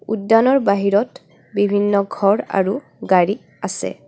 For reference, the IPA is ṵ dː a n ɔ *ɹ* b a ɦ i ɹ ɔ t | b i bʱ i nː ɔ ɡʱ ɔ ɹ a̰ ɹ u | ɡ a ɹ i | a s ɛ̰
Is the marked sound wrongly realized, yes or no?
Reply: no